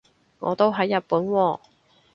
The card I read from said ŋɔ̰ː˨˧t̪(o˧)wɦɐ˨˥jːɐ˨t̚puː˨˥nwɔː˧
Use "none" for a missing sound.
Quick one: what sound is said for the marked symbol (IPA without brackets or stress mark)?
o˥